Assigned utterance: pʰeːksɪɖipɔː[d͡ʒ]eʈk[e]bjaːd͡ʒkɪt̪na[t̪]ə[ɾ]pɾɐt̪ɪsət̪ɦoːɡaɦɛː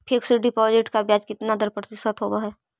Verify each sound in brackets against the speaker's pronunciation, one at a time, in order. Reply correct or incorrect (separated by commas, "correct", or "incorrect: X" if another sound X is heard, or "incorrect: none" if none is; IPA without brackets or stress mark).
correct, incorrect: a, incorrect: d̪, correct